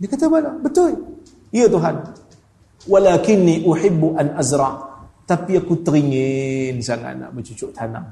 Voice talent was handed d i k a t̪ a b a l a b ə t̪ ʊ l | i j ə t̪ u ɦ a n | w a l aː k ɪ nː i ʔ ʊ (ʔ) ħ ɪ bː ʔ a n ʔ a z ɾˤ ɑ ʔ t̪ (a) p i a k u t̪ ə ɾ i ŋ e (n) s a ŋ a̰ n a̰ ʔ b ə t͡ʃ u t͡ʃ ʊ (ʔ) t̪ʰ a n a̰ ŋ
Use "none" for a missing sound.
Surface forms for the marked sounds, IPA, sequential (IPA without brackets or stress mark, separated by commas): none, a, n, ʔ